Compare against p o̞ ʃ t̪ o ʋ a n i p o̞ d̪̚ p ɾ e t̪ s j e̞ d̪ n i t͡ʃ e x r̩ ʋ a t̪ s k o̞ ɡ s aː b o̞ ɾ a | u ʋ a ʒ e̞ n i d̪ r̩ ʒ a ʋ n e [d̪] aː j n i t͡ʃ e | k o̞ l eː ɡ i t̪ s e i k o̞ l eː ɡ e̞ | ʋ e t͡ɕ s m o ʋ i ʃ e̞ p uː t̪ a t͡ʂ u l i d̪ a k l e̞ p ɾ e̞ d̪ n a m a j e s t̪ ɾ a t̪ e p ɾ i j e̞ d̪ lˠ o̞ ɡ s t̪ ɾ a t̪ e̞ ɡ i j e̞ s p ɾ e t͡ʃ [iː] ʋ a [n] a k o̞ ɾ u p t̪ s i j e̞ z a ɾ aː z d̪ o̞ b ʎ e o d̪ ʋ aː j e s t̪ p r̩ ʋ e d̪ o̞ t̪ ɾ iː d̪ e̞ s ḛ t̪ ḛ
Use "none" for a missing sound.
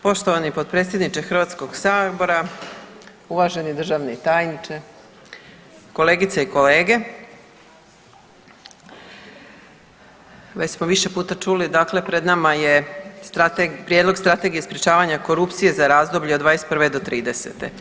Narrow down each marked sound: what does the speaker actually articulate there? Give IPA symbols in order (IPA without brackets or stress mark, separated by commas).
t̪, aː, ɲ